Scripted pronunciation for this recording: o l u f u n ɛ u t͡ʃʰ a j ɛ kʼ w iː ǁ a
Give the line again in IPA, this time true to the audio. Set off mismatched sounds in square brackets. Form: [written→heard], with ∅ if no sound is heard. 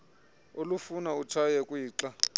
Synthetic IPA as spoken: o l u f u n [ɛ→a] u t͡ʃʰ a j ɛ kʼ w iː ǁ a